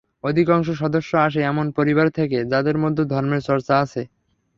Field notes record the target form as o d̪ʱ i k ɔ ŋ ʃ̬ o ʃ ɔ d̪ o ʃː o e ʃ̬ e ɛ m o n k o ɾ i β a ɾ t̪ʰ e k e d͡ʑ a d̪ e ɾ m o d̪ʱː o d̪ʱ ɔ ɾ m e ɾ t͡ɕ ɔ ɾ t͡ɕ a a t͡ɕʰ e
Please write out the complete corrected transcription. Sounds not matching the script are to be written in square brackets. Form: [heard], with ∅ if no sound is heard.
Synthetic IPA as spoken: o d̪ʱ i k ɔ ŋ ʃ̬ o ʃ ɔ d̪ o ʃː o [a] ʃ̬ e ɛ m o n [p] o ɾ i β a ɾ t̪ʰ e k e d͡ʑ a d̪ e ɾ m o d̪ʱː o d̪ʱ ɔ ɾ m e ɾ t͡ɕ ɔ ɾ t͡ɕ a a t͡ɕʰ e

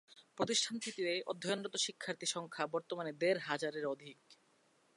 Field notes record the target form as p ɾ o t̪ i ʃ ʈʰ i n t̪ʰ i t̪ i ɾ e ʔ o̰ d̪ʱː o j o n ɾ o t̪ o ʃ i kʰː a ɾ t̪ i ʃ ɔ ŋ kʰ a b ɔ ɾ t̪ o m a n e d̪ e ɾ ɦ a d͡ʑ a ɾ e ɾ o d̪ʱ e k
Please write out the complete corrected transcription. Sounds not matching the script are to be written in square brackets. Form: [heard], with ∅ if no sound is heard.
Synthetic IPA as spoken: p ɾ o t̪ i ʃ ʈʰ [a] n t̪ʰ i t̪ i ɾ e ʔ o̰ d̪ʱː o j o n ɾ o t̪ o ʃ i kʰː a ɾ t̪ i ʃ ɔ ŋ kʰ a b ɔ ɾ t̪ o m a n e d̪ e ɾ ɦ a d͡ʑ a ɾ e ɾ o d̪ʱ [i] k

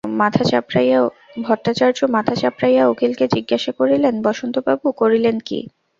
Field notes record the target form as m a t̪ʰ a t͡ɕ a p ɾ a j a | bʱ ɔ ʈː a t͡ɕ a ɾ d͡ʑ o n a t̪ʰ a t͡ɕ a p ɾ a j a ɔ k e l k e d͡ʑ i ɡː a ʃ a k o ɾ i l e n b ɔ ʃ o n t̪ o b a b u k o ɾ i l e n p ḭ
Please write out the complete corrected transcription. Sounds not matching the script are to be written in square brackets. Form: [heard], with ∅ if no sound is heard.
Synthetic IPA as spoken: m a t̪ʰ a t͡ɕ a p ɾ a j a | bʱ ɔ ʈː a t͡ɕ a ɾ d͡ʑ o [m] a t̪ʰ a t͡ɕ a p ɾ a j a [o] k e l k e d͡ʑ i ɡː a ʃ a k o ɾ i l e n b ɔ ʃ o n t̪ o b a b u k o ɾ i l e n [k] ḭ

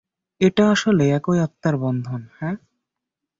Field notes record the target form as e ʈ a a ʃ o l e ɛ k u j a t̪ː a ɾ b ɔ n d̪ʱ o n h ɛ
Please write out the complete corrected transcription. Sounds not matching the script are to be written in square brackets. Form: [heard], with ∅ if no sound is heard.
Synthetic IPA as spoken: e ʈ a a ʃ o l e ɛ k [o] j a t̪ː a ɾ b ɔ n d̪ʱ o n h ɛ

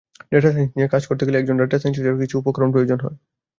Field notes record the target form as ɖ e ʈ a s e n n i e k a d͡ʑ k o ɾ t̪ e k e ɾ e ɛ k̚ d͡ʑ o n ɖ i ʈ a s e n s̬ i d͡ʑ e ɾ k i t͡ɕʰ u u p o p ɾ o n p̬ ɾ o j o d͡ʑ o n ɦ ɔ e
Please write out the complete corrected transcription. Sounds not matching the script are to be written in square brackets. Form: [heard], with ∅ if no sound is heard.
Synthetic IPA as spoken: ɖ e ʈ a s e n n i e k a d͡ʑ k o ɾ t̪ e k e [l] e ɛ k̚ d͡ʑ o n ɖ [e] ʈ a s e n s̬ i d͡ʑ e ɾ k i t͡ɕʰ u u p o [k] ɾ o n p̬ ɾ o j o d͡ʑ o n ɦ ɔ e

